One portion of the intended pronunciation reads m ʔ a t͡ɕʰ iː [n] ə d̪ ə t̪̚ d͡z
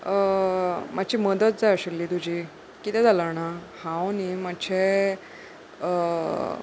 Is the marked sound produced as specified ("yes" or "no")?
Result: no